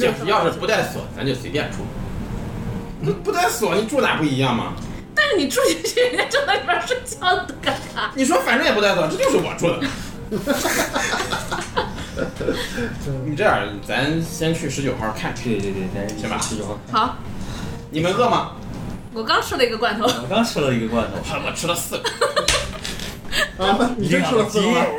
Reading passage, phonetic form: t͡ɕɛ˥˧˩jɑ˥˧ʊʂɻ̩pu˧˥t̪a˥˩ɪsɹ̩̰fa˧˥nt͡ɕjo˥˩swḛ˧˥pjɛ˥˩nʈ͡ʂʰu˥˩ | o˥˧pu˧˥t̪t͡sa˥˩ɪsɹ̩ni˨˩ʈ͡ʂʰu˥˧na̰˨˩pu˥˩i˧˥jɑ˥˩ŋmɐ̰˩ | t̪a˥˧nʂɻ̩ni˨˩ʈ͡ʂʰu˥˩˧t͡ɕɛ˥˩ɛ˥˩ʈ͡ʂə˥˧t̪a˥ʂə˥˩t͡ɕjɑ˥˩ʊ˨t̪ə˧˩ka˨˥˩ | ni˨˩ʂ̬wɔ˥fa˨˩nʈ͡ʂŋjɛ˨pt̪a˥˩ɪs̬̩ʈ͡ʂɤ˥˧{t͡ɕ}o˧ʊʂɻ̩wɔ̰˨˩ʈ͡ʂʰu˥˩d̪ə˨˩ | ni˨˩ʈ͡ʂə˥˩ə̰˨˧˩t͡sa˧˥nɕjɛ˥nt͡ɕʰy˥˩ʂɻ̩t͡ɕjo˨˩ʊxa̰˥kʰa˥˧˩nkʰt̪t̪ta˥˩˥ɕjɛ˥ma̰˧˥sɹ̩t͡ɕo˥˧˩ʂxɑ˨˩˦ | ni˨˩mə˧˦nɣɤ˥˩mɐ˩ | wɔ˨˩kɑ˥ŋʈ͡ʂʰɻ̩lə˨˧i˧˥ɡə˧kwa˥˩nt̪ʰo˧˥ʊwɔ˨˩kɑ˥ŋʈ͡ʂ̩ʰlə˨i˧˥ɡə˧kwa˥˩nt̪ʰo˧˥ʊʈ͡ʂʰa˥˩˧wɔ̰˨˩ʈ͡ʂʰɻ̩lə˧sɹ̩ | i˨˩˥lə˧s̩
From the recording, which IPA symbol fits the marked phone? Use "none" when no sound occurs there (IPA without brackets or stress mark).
t͡ɕ